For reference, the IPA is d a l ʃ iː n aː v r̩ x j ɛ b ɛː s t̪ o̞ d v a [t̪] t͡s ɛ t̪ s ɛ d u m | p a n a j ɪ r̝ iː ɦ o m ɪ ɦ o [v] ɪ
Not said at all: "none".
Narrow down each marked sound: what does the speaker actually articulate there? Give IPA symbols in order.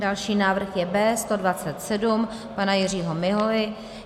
none, v

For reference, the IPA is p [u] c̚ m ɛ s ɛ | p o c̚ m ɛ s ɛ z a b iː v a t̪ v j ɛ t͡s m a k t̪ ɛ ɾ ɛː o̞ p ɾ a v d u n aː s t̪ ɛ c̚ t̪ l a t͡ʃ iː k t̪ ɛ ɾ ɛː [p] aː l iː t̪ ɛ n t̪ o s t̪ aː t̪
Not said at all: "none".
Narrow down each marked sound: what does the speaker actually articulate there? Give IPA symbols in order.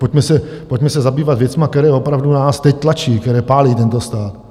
o, p

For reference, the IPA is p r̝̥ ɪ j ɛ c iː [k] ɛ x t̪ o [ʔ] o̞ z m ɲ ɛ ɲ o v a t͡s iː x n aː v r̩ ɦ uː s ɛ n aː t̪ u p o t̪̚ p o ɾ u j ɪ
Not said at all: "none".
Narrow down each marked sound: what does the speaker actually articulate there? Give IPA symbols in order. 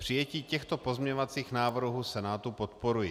c, p

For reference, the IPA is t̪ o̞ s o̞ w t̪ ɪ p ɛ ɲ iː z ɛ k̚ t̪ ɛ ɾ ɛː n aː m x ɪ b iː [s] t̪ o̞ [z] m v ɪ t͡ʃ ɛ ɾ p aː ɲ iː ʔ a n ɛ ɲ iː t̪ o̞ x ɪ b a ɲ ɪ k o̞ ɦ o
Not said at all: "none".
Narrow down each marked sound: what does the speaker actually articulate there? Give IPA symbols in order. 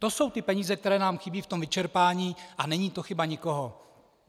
f, none

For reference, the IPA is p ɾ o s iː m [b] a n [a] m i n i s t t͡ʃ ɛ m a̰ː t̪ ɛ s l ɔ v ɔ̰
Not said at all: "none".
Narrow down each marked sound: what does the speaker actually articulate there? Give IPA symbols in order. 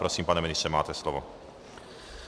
p, ɛ

